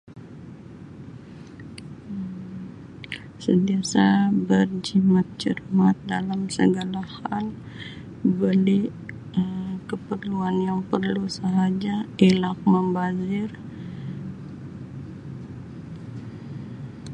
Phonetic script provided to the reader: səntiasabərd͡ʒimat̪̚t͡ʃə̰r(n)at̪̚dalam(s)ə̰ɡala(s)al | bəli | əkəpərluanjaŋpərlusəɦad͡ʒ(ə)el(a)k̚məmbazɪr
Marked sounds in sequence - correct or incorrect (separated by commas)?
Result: incorrect, correct, incorrect, incorrect, correct